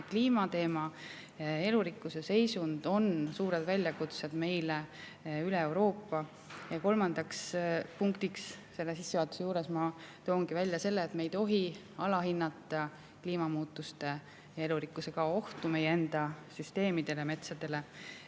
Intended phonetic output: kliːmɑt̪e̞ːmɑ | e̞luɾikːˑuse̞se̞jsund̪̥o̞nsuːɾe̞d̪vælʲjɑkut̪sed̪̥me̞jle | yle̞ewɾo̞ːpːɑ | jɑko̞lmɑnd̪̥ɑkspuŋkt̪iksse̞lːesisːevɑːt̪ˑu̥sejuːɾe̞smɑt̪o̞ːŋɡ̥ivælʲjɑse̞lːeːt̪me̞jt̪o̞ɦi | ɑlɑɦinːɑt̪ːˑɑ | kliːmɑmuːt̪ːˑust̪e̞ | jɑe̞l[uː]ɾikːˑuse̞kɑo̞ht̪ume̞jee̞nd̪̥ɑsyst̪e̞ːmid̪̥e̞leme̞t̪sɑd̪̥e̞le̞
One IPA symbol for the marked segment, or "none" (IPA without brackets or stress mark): u